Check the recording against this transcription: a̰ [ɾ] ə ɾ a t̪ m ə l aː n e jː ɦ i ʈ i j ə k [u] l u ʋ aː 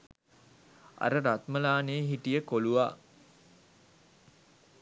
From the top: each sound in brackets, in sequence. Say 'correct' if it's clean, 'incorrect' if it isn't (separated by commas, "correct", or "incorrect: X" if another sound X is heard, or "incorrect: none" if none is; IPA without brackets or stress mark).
correct, incorrect: o